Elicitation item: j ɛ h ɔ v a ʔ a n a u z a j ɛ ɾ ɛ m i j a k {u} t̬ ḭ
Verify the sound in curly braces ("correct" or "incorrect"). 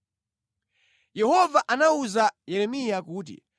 incorrect